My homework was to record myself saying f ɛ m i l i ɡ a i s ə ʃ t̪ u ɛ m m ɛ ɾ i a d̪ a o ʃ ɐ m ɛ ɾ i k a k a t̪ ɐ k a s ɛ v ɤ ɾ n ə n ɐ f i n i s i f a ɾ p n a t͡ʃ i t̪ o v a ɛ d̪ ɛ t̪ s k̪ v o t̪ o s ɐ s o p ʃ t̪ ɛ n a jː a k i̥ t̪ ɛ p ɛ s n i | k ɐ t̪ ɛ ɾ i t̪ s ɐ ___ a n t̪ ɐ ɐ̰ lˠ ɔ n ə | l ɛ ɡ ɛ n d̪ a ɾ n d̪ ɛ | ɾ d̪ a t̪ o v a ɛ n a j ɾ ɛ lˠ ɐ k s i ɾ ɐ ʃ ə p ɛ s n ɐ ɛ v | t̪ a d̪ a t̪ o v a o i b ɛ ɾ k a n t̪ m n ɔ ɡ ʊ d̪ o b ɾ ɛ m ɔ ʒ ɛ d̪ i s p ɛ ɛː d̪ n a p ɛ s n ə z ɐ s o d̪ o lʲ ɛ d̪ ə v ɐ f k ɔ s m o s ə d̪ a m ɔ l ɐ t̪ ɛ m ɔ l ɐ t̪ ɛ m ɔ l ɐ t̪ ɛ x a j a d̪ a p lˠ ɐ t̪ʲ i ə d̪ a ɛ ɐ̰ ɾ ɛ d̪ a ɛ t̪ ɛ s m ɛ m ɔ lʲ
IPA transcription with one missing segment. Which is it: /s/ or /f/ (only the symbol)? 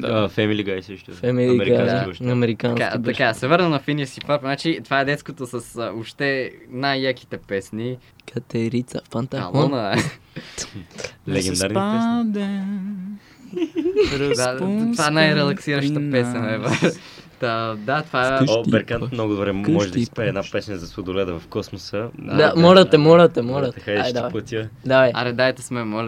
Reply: f